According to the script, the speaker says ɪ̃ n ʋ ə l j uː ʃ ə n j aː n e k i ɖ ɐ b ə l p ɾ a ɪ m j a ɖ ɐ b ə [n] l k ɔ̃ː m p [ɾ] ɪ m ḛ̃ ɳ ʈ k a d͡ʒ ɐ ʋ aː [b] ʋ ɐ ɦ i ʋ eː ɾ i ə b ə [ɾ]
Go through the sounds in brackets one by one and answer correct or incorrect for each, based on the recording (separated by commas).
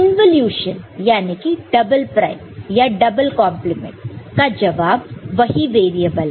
incorrect, incorrect, correct, incorrect